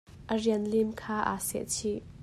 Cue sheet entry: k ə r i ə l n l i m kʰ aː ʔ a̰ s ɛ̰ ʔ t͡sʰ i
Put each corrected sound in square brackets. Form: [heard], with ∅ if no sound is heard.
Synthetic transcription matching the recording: [ʔ] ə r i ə [∅] n l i m kʰ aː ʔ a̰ s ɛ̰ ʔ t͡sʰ i